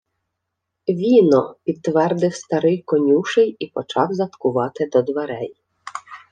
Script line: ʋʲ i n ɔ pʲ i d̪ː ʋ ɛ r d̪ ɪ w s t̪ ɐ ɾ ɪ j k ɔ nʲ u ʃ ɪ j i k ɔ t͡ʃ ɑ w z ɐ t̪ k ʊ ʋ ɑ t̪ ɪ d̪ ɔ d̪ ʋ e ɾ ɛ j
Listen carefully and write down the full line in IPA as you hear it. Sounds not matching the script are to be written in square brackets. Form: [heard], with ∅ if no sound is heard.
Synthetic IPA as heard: ʋʲ i n ɔ pʲ i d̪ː ʋ ɛ r d̪ ɪ w s t̪ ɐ ɾ ɪ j k ɔ nʲ u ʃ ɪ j i [p] ɔ t͡ʃ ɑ w z ɐ t̪ k ʊ ʋ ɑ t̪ ɪ d̪ ɔ d̪ ʋ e ɾ ɛ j

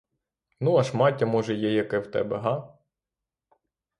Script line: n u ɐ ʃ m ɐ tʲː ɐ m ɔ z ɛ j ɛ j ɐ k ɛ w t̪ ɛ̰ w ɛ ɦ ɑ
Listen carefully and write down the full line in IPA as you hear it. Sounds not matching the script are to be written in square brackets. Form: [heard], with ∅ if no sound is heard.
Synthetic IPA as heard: n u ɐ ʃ m [ɑ] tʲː ɐ m ɔ [ʒ] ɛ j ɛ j ɐ k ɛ w t̪ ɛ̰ [b] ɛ ɦ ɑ

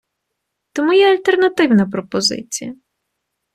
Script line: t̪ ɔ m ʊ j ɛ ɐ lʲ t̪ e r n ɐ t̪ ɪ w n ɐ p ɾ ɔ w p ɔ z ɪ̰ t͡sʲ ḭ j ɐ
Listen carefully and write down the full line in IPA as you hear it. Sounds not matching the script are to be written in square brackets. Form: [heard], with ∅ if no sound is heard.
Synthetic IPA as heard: t̪ ɔ m [u] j ɛ ɐ lʲ t̪ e r n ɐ t̪ ɪ w n ɐ p ɾ ɔ [∅] p ɔ z ɪ̰ t͡sʲ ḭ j ɐ

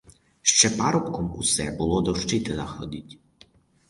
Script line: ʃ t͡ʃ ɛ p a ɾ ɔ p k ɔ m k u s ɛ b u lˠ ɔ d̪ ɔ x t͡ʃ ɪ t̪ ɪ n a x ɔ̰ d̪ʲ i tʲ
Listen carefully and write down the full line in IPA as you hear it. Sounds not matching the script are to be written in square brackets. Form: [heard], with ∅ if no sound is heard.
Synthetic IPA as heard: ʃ t͡ʃ ɛ p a ɾ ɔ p k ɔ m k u s ɛ b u lˠ ɔ d̪ ɔ [ʃ] t͡ʃ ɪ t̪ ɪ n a x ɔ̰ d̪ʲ i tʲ

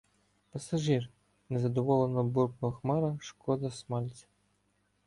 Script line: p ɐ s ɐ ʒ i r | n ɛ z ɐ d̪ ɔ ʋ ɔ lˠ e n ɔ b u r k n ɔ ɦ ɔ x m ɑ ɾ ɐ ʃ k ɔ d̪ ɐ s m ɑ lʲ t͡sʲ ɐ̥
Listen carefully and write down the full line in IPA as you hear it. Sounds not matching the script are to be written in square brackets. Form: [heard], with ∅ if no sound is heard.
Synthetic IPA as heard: p ɐ s ɐ ʒ i r | n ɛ z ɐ d̪ ɔ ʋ ɔ lˠ e n ɔ b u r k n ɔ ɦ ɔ x m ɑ ɾ ɐ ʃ k ɔ d̪ ɐ s m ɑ lʲ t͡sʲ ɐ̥

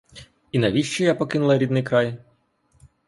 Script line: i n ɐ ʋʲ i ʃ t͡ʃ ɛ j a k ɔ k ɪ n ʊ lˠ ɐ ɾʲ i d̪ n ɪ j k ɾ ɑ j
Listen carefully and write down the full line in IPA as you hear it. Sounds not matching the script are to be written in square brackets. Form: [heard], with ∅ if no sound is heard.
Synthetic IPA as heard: i n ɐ ʋʲ i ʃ t͡ʃ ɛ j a [p] ɔ k ɪ n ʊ lˠ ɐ ɾʲ i d̪ n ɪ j k ɾ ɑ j

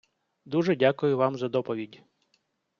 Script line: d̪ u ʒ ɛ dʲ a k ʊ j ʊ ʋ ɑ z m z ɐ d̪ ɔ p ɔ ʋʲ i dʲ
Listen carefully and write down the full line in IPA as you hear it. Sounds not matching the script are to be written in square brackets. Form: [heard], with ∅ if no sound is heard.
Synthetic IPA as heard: d̪ u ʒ ɛ dʲ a k ʊ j ʊ ʋ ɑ [∅] m z ɐ d̪ ɔ p ɔ ʋʲ i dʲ

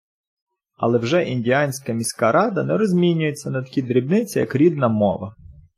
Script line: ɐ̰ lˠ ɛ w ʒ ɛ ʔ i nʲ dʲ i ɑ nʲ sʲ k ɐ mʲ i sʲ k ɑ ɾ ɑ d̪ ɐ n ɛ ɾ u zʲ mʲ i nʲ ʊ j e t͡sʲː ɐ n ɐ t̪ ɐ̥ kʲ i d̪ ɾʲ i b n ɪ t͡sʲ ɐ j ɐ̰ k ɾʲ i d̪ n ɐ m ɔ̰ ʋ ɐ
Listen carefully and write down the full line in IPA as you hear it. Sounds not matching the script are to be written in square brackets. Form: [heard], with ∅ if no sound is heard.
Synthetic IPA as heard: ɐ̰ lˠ ɛ w ʒ ɛ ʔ i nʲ dʲ i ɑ nʲ sʲ k ɐ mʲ i sʲ k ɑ ɾ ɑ d̪ ɐ n ɛ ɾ [ɔ] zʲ mʲ i nʲ ʊ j e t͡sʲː ɐ n ɐ t̪ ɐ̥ kʲ i d̪ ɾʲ i b n ɪ t͡sʲ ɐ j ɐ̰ k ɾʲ i d̪ n ɐ m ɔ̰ ʋ ɐ

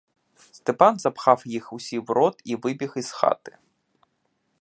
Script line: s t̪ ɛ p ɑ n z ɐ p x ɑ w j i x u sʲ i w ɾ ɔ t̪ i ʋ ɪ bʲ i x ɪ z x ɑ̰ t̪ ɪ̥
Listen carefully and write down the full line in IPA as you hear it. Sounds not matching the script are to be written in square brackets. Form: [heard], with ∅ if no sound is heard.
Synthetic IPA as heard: s t̪ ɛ p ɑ n z ɐ p x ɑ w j i x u sʲ i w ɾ ɔ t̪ i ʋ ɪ bʲ i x [i] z x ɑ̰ t̪ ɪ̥

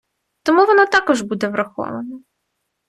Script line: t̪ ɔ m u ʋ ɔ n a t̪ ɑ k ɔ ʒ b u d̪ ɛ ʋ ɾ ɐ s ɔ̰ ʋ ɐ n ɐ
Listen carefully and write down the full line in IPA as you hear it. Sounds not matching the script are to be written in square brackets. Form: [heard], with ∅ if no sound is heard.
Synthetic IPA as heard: t̪ ɔ m u ʋ ɔ n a t̪ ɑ k ɔ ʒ b u d̪ ɛ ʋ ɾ ɐ [x] ɔ̰ ʋ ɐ n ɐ

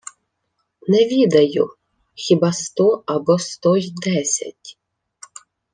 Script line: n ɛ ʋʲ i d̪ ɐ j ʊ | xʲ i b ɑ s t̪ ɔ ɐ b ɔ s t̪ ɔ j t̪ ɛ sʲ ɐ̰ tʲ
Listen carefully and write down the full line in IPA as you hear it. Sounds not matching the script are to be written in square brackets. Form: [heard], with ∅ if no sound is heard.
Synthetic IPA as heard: n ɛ ʋʲ i d̪ ɐ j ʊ | xʲ i b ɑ s t̪ ɔ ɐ b ɔ s t̪ ɔ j [d̪] ɛ sʲ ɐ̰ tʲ

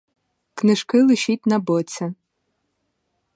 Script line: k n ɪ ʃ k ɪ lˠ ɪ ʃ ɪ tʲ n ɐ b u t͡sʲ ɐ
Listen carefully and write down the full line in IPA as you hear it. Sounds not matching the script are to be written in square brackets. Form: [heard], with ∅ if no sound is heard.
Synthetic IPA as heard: k n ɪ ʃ k ɪ lˠ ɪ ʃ [i] tʲ n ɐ b [ɔ] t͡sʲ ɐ

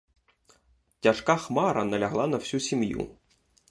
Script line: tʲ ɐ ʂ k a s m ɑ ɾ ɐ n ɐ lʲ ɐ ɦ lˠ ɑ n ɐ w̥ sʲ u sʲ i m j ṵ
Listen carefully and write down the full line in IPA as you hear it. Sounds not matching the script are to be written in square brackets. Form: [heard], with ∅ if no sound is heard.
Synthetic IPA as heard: tʲ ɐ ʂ k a [x] m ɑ ɾ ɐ n ɐ lʲ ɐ ɦ lˠ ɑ n ɐ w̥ sʲ u sʲ i m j ṵ

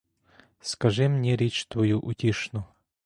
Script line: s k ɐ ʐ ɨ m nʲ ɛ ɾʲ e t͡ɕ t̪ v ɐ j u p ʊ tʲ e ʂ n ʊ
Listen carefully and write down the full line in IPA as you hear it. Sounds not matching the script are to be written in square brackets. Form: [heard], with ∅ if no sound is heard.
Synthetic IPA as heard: s k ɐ ʐ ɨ m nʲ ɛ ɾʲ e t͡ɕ t̪ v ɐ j u [ʔ] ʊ tʲ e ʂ n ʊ

